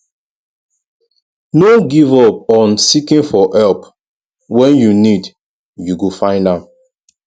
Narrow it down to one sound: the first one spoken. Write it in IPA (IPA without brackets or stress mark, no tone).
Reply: n